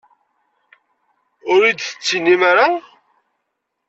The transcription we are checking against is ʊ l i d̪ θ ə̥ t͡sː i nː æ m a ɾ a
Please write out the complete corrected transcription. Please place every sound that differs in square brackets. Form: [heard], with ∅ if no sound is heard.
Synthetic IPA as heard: ʊ [ɾ] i d̪ θ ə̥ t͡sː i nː [i] m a ɾ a